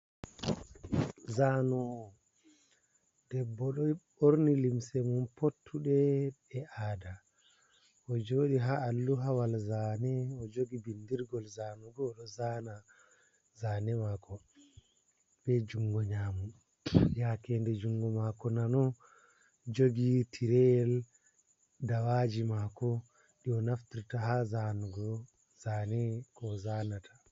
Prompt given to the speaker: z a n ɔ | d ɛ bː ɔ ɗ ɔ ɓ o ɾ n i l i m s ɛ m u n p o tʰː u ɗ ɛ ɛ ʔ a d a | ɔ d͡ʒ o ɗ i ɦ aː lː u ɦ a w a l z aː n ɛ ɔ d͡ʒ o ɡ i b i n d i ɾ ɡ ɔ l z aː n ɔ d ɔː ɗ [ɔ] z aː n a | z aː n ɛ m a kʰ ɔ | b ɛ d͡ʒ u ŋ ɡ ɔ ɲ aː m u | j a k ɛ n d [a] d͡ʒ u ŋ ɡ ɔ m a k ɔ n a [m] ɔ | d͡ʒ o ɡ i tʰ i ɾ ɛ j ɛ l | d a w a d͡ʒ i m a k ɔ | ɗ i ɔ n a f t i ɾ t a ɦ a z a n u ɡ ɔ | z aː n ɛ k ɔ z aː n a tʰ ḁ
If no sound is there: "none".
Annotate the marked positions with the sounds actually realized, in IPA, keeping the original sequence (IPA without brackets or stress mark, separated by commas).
ɔ, ɛ, n